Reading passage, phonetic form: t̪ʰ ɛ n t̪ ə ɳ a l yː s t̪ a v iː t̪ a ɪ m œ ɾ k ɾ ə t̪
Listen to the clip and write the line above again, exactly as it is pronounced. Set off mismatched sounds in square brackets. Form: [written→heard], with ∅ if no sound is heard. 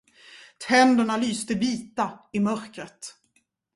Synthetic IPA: t̪ʰ ɛ n [t̪→d̪] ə ɳ a l yː s t̪ [a→ə] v iː t̪ a ɪ m œ ɾ k ɾ ə t̪